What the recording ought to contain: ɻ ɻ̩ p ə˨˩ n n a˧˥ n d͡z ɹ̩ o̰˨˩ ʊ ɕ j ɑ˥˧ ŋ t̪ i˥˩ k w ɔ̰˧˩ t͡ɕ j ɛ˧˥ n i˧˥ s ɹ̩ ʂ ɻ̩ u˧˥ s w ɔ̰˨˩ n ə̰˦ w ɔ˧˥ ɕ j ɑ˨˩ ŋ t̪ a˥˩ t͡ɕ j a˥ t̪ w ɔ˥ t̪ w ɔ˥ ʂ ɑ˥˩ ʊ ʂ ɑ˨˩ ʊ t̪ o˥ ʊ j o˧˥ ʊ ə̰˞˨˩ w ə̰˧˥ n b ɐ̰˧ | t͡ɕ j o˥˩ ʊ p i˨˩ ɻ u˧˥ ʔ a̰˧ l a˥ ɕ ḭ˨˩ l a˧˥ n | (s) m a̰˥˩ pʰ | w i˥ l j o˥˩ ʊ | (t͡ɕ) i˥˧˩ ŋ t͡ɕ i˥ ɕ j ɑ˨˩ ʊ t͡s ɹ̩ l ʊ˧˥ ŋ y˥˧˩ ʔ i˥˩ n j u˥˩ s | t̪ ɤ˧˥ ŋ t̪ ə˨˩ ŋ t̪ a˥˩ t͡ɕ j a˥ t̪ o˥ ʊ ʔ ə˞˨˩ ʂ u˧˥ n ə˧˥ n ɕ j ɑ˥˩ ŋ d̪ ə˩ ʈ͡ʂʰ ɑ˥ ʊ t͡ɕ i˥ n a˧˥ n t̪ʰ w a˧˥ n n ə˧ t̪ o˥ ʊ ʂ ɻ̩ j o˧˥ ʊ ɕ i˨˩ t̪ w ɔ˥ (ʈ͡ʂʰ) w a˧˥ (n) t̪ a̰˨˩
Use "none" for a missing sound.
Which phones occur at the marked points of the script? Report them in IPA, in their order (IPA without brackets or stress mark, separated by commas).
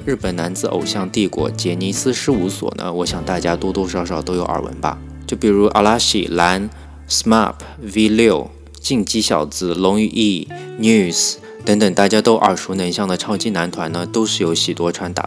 s, t͡ɕ, ʈ͡ʂʰ, n